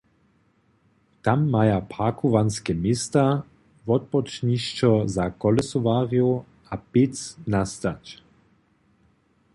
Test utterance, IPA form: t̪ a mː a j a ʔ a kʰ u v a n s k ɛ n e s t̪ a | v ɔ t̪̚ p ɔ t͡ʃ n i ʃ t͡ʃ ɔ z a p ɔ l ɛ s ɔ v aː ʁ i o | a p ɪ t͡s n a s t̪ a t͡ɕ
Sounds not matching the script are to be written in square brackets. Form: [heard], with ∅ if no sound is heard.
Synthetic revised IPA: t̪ a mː a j a [p] a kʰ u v a n s k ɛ [m] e s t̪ a | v ɔ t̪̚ p ɔ t͡ʃ n i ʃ t͡ʃ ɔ z a [k] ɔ l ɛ s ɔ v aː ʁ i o | a p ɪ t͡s n a s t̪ a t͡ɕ